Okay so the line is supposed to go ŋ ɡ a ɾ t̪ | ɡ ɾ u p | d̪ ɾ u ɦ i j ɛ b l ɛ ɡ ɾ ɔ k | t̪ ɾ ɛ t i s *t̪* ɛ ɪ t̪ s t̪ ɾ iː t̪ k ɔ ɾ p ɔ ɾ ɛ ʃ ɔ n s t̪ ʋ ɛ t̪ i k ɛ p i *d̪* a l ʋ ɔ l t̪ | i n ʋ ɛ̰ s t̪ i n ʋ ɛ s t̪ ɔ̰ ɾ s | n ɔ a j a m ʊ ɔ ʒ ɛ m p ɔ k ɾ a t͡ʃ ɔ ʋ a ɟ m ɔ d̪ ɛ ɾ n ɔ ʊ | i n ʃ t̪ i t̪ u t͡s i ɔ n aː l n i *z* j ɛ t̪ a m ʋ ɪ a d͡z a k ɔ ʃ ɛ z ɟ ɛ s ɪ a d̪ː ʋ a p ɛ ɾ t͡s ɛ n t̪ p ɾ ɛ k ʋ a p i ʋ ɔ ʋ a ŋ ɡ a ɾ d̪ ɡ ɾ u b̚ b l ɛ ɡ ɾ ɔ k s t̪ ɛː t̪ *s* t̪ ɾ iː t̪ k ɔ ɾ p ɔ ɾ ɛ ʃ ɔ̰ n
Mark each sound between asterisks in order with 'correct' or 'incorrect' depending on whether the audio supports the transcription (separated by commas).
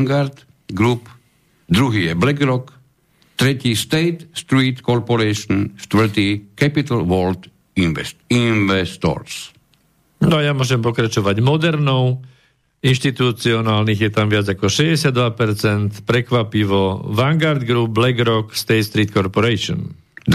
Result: correct, incorrect, incorrect, correct